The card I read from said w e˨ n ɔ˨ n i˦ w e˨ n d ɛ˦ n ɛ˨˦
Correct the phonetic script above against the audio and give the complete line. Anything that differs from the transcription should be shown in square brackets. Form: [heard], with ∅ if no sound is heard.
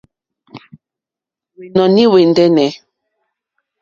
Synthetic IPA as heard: w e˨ n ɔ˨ n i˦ w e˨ n d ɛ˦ n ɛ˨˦